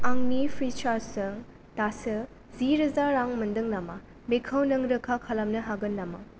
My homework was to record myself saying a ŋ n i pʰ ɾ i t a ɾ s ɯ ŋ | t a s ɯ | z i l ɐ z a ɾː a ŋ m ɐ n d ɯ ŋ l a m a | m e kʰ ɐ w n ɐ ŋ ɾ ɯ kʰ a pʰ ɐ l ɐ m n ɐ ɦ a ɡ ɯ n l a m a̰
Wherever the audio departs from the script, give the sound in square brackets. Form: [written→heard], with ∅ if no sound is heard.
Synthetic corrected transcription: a ŋ n i pʰ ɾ i [t→t͡ʃ] a ɾ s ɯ ŋ | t a s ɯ | z i [l→ɾ] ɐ z a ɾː a ŋ m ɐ n d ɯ ŋ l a m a | m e kʰ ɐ w n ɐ ŋ ɾ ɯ kʰ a [pʰ→kʰ] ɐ l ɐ m n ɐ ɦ a ɡ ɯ n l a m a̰